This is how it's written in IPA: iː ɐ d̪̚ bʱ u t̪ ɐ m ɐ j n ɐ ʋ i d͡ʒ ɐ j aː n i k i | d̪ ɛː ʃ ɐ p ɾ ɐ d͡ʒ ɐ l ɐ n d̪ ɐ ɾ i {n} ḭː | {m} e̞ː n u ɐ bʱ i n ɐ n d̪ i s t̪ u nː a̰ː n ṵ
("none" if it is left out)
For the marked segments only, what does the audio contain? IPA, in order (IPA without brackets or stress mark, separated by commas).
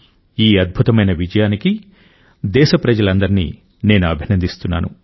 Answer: n, n